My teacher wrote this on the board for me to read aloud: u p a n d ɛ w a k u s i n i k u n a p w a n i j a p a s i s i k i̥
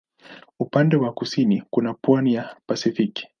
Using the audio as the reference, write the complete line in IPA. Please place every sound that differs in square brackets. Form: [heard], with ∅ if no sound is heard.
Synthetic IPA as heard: u p a n d ɛ w a k u s i n i k u n a p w a n i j a p a s i [f] i k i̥